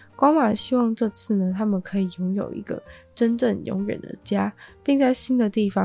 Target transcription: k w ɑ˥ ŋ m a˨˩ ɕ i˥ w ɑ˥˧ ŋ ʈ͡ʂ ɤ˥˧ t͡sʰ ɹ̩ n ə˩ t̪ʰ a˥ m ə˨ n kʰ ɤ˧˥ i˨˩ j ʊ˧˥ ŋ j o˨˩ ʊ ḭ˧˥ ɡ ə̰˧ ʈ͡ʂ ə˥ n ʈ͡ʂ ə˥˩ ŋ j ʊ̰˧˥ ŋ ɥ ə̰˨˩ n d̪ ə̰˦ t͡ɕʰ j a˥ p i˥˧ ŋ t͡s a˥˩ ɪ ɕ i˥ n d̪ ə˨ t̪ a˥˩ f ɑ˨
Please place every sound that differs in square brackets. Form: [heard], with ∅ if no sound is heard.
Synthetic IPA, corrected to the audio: k w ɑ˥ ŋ m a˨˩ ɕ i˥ w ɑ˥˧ ŋ ʈ͡ʂ ɤ˥˧ t͡sʰ ɹ̩ n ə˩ t̪ʰ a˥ m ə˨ n kʰ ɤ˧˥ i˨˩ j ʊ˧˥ ŋ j o˨˩ ʊ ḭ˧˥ ɡ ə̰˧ ʈ͡ʂ ə˥ n ʈ͡ʂ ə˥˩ ŋ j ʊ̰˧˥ ŋ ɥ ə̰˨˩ n d̪ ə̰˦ [t͡ɕ] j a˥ p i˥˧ ŋ t͡s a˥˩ ɪ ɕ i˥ n d̪ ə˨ t̪ [i˥˩] f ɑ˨